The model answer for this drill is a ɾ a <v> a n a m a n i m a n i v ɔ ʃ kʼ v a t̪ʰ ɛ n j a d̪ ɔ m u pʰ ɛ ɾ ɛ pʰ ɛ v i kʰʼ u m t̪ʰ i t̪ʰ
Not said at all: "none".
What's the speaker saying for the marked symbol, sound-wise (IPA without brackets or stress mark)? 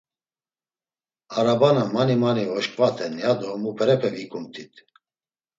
b